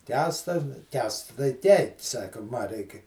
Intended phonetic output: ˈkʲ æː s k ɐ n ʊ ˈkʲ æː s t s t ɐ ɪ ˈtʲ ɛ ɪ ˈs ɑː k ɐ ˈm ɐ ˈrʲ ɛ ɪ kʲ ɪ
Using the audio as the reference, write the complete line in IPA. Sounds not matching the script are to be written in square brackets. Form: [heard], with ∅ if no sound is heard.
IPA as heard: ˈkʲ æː s [t] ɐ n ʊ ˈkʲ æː s t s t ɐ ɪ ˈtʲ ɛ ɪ ˈs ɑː k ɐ ˈm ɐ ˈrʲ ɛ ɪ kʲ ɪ